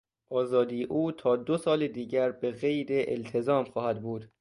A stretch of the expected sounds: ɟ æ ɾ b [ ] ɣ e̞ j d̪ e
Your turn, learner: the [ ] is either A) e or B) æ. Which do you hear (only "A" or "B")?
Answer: A